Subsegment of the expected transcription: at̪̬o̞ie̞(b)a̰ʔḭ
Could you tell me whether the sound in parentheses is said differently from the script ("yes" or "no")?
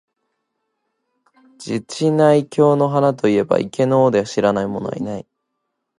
no